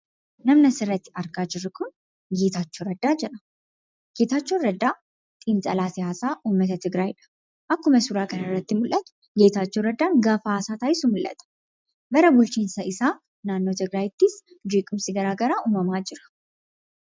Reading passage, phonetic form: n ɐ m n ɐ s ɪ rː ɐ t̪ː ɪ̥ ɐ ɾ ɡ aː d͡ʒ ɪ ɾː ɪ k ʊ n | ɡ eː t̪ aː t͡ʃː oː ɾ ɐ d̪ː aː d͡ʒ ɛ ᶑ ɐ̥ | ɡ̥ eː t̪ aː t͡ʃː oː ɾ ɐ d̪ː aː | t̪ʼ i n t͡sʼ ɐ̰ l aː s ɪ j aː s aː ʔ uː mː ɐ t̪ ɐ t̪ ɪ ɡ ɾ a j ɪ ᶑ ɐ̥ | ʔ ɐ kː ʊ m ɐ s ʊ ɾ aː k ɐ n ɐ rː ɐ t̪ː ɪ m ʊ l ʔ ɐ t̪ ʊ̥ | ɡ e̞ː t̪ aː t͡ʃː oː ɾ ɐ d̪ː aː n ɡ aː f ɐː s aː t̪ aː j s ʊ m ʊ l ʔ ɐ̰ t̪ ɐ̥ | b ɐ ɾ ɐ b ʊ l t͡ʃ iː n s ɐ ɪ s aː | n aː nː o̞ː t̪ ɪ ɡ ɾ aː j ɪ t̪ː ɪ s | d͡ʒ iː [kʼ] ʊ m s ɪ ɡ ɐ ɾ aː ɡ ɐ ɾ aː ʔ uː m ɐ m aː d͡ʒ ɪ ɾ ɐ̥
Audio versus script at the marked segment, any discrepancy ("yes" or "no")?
no